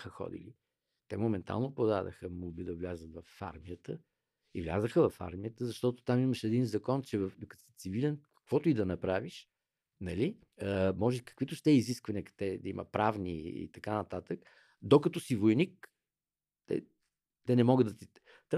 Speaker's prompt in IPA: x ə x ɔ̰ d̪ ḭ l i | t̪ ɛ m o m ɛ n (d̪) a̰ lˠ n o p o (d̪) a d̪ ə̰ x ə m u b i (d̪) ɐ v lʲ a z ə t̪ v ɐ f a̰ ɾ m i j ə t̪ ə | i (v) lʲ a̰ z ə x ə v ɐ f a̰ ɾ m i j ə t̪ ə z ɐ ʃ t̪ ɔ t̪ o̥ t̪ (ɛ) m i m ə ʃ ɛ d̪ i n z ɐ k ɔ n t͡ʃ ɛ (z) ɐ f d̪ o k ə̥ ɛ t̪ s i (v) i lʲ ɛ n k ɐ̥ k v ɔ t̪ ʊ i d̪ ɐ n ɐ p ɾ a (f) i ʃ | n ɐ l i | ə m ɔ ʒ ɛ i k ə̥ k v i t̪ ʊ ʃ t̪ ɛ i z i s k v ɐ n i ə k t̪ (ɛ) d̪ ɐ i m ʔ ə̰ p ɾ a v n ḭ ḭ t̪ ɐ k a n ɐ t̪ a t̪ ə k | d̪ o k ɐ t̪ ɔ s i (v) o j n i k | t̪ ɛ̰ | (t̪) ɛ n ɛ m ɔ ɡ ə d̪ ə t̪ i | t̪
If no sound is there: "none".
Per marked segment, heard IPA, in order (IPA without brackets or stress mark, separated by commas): t̪, d̪, d̪, v, a, v, v, v, ɛ, v, t̪